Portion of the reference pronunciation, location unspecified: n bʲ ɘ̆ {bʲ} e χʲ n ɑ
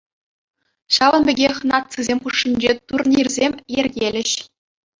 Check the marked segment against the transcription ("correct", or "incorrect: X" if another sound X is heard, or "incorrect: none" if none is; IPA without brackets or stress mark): incorrect: ɡʲ